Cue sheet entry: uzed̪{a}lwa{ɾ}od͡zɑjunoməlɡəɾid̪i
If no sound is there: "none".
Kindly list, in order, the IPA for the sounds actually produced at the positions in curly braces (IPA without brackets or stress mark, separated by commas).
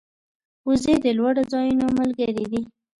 ə, ɽ